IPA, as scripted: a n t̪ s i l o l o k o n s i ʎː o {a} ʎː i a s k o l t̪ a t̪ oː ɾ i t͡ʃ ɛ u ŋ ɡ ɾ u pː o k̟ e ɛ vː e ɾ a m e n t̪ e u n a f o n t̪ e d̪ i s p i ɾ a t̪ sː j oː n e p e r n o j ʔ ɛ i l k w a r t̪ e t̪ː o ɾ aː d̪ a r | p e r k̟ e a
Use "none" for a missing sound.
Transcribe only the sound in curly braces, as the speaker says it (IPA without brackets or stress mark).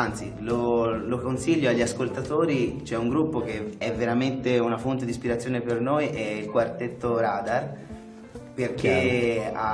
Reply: a